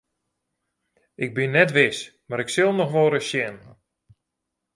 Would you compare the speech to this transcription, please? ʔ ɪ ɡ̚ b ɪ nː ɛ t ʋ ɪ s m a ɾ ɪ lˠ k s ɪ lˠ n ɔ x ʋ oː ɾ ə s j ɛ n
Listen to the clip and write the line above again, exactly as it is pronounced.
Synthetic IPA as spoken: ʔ ɪ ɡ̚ b ɪ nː ɛ t ʋ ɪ s m a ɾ ɪ k s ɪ lˠ n ɔ x ʋ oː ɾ ə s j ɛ n